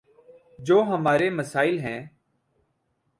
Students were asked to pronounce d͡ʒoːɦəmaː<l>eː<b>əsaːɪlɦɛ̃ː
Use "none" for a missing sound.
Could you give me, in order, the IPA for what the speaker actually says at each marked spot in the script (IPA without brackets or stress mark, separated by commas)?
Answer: ɾ, m